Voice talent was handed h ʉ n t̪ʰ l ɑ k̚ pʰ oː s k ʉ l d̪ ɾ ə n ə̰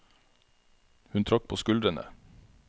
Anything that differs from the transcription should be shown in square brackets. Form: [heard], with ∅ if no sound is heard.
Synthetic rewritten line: h ʉ n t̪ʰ [ɾ] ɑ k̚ pʰ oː s k ʉ l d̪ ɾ ə n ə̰